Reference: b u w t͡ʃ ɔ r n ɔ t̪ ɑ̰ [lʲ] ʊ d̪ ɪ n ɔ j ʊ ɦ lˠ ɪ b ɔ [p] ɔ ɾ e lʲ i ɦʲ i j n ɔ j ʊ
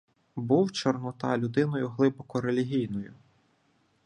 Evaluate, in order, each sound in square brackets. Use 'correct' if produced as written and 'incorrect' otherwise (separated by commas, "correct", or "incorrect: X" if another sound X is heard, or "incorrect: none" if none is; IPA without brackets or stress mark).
correct, incorrect: k